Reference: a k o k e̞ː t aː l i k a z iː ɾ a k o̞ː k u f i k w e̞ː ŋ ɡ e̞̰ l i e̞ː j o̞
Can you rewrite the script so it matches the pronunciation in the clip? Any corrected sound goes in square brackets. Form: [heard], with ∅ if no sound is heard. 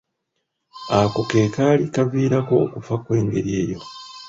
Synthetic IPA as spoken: a k o k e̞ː [k] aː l i k a [v] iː ɾ a k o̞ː k u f [a] k w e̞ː ŋ ɡ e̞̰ [ɾ] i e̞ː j o̞